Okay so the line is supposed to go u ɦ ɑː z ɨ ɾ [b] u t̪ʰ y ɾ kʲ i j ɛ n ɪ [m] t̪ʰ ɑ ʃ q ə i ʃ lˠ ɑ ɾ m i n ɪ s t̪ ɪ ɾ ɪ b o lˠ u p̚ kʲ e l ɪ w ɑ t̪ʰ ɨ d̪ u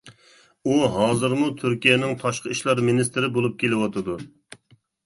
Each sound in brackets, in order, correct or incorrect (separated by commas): incorrect, incorrect